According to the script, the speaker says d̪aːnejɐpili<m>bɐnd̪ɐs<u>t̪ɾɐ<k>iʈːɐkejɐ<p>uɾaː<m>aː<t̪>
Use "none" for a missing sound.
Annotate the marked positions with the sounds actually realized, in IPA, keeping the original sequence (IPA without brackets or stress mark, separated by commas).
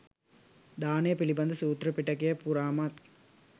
none, uː, p, p, m, t̪